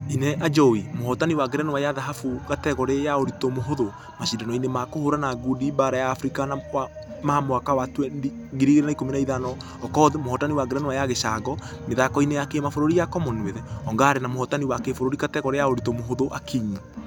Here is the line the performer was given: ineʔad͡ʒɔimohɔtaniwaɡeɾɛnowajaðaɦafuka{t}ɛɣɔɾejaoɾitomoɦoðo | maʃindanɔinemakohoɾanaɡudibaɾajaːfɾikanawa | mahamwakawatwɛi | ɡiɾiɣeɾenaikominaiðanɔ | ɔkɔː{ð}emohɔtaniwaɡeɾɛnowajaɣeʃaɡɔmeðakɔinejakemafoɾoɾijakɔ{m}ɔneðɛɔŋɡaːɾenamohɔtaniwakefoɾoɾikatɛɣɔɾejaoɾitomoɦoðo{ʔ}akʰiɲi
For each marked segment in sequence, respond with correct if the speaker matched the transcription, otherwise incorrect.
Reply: correct, correct, correct, correct

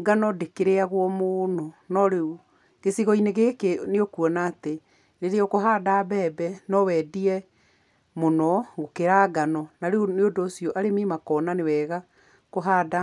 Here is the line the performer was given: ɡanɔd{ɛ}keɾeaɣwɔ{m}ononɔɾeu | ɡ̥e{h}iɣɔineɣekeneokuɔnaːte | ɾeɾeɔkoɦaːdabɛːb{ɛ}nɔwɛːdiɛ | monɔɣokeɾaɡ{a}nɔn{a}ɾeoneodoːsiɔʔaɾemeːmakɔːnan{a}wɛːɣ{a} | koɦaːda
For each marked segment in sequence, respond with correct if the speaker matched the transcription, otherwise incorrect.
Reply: incorrect, correct, incorrect, correct, correct, correct, incorrect, correct

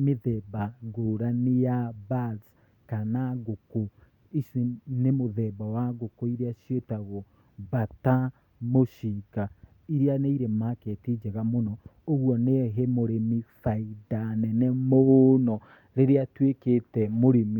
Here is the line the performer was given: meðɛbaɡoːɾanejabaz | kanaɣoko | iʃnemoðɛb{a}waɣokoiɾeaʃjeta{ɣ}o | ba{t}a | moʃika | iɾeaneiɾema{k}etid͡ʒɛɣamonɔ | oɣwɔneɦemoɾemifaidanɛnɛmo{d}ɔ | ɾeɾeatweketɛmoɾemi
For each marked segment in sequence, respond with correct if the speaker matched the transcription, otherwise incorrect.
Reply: correct, correct, correct, correct, incorrect

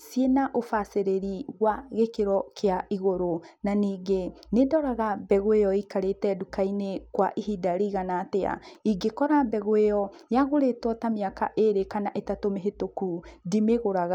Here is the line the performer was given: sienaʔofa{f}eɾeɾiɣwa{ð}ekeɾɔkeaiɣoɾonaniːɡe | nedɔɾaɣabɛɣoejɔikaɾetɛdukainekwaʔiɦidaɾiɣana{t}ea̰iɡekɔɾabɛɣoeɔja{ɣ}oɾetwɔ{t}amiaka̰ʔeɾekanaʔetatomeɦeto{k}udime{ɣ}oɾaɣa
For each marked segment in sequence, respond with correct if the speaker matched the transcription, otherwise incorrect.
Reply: incorrect, incorrect, correct, correct, correct, correct, correct

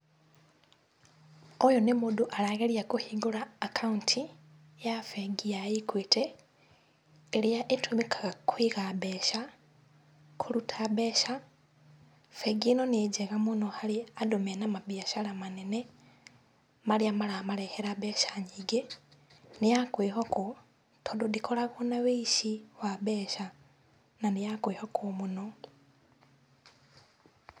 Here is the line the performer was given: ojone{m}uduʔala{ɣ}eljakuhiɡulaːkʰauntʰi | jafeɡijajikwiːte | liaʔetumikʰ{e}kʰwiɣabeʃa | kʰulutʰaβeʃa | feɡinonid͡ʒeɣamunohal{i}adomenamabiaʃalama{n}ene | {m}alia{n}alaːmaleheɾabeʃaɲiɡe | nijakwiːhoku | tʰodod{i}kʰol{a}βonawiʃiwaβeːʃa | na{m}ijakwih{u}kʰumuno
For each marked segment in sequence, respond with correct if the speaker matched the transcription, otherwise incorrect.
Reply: correct, correct, incorrect, correct, correct, correct, incorrect, correct, correct, incorrect, incorrect

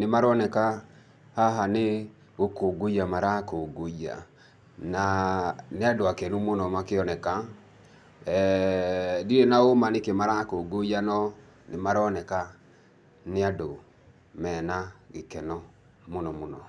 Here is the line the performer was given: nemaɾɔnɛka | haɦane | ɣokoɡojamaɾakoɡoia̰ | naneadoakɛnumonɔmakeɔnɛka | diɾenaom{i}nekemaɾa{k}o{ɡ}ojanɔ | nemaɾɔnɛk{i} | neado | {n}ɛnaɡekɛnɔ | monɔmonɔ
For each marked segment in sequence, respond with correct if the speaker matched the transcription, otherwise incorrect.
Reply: incorrect, correct, correct, incorrect, incorrect

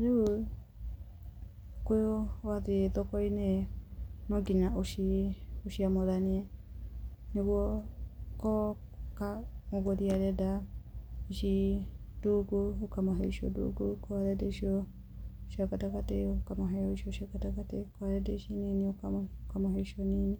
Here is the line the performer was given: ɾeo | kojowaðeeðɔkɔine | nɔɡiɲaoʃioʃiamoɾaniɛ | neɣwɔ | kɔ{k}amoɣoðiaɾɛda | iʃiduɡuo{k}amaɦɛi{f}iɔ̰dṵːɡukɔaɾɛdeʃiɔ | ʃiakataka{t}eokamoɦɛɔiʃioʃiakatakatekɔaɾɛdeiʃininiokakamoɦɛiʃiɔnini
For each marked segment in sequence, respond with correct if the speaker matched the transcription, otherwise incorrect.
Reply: correct, correct, incorrect, correct

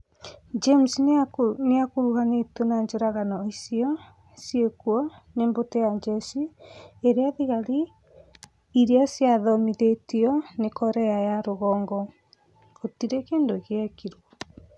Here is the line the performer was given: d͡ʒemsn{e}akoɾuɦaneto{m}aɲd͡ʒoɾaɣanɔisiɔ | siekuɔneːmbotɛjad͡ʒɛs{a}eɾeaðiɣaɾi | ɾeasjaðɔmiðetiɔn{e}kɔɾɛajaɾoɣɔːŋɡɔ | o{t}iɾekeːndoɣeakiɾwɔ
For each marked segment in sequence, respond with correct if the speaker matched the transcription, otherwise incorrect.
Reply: correct, incorrect, incorrect, correct, correct

